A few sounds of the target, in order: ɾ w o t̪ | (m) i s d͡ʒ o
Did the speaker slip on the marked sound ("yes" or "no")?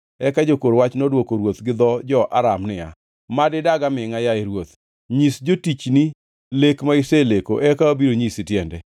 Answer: yes